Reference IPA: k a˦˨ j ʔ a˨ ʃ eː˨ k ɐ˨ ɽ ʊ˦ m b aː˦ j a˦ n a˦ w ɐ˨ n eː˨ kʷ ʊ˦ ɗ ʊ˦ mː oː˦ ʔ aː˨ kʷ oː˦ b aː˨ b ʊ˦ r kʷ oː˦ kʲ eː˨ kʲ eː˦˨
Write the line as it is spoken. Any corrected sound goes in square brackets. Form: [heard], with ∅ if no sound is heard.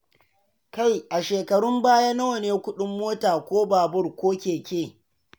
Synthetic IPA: k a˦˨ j ʔ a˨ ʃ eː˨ k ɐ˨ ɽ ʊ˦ m b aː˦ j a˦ n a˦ w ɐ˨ n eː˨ kʷ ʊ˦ ɗ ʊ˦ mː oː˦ [t] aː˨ kʷ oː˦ b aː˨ b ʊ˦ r kʷ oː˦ kʲ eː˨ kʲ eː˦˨